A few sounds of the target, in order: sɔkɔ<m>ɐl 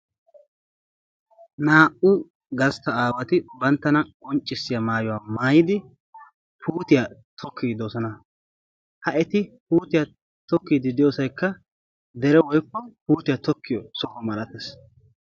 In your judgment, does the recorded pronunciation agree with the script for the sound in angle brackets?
yes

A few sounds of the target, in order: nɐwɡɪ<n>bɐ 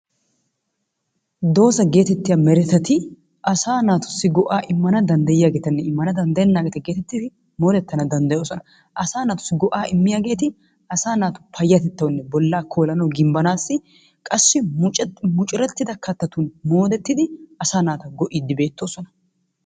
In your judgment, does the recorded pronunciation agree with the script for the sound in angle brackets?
no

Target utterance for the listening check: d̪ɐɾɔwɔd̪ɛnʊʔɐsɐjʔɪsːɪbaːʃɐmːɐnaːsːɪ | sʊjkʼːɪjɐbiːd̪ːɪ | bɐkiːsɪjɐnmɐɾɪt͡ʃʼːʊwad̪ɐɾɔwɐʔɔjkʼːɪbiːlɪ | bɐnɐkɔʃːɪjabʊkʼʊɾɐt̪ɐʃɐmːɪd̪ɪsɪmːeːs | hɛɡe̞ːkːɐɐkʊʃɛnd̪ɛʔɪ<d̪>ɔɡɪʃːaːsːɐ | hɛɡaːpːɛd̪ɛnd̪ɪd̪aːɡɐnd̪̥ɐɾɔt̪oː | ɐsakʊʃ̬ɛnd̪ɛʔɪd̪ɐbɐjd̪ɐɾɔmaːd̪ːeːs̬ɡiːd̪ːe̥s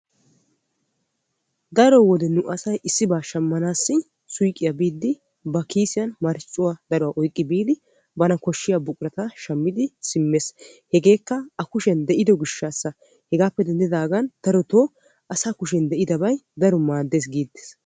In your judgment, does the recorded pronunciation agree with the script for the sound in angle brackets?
yes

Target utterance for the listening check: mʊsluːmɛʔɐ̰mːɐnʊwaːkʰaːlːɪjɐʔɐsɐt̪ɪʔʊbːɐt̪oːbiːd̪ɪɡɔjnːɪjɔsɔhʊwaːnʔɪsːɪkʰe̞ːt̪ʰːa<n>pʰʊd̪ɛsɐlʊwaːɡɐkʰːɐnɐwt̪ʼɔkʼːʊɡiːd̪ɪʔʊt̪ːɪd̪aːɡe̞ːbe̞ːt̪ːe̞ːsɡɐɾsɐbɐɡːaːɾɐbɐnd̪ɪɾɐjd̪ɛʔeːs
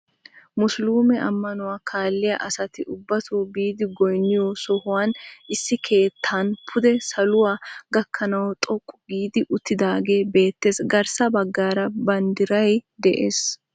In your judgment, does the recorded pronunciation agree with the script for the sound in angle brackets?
yes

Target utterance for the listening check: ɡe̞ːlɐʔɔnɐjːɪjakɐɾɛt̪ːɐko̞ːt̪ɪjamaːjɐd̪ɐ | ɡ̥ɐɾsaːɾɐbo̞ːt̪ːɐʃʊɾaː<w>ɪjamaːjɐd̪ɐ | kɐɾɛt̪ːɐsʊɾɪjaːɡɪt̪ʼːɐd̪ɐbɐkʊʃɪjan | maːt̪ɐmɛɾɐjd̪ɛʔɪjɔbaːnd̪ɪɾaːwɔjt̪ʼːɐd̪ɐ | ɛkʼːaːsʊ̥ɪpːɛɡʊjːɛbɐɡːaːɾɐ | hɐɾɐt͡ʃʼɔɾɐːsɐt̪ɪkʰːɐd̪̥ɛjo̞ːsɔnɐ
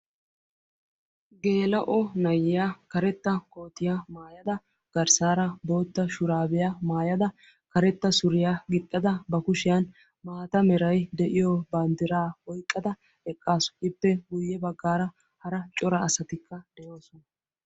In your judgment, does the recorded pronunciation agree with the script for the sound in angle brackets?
no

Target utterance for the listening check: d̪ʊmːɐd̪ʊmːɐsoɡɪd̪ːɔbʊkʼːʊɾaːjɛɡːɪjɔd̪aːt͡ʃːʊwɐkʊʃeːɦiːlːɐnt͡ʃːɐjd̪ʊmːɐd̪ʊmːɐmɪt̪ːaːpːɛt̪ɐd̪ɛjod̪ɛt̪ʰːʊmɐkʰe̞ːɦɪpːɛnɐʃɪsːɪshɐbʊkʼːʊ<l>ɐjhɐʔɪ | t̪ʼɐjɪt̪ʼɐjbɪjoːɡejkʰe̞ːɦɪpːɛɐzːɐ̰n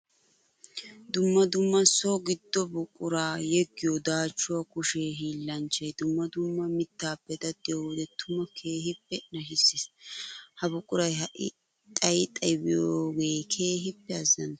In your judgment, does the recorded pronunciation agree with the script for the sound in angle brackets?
no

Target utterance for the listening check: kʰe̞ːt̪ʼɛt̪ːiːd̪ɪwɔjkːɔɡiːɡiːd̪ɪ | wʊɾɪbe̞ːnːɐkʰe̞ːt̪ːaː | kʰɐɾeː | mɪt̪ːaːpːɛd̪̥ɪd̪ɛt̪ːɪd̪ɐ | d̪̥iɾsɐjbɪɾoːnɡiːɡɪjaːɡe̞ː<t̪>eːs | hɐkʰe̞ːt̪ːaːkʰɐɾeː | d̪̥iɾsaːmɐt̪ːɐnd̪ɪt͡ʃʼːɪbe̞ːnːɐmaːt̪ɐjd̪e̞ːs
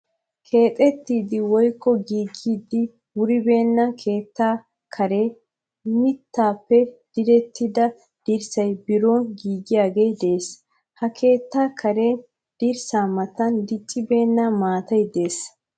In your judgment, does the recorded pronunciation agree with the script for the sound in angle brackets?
no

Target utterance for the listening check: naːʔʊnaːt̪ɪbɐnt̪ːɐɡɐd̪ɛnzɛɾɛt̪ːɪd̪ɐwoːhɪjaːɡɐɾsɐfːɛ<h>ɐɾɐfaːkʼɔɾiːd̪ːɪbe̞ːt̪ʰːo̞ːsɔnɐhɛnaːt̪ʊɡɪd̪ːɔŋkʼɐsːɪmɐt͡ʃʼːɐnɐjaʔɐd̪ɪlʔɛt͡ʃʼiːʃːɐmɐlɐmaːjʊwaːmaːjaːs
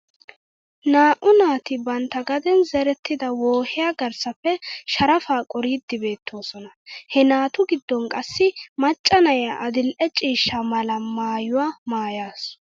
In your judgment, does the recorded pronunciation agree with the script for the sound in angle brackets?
no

